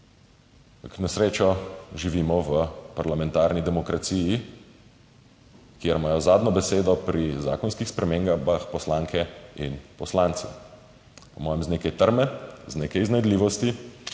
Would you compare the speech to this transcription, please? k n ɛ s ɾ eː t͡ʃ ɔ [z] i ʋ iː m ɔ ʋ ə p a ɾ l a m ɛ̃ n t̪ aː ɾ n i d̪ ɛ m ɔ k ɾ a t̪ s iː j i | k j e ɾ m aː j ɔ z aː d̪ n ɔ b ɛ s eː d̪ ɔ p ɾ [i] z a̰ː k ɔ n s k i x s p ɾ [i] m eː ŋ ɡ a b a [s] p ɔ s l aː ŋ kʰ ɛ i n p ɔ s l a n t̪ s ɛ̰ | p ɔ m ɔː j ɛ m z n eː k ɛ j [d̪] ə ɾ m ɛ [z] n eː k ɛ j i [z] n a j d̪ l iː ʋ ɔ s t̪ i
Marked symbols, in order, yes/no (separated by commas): no, yes, no, no, no, yes, yes